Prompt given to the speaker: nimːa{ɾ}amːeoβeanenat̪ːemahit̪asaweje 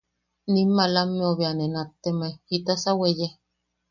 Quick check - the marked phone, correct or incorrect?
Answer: incorrect